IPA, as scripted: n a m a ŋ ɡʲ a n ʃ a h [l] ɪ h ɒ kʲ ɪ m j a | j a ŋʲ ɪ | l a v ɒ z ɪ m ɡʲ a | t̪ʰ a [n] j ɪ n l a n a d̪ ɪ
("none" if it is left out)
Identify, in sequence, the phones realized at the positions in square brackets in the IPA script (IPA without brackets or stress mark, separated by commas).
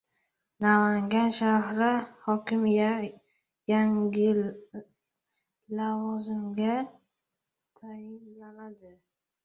ɾ, none